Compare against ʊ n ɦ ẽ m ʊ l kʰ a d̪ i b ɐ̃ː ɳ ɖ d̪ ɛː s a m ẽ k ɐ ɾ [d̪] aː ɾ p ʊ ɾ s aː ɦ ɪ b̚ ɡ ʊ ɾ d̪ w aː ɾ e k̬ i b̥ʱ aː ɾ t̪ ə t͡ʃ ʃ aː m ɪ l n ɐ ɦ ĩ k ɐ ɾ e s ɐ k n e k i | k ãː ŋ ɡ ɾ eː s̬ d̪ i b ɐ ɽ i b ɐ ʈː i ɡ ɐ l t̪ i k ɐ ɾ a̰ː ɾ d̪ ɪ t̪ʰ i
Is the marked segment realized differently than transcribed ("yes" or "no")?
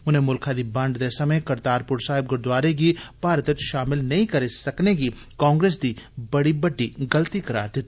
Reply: yes